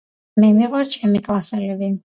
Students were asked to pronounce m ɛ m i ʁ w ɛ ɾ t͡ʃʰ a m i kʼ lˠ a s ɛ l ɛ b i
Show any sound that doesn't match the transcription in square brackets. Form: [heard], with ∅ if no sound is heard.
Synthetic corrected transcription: m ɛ m i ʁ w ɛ ɾ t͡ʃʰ [ɛ] m i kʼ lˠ a s ɛ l ɛ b i